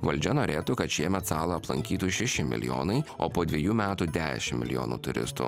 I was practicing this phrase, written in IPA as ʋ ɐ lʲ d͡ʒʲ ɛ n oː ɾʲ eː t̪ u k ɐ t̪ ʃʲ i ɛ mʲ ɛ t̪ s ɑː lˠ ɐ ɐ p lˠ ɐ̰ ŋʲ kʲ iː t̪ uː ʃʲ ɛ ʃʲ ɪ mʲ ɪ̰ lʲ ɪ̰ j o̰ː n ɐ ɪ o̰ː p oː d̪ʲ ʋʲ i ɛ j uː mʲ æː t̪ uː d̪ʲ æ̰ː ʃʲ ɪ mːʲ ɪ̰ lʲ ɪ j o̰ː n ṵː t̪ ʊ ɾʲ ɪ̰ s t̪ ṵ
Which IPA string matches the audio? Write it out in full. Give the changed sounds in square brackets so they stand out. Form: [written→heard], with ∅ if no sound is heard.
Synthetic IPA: ʋ ɐ lʲ d͡ʒʲ ɛ n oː ɾʲ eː t̪ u k ɐ t̪ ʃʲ i ɛ mʲ ɛ t̪ s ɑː lˠ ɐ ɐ p lˠ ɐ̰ ŋʲ kʲ iː t̪ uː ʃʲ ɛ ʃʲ ɪ mʲ ɪ̰ lʲ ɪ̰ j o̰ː n ɐ ɪ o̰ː p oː d̪ʲ ʋʲ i ɛ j uː mʲ æː t̪ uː d̪ʲ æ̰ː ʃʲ ɪ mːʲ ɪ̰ lʲ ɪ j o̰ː n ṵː t̪ ʊ ɾʲ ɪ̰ s t̪ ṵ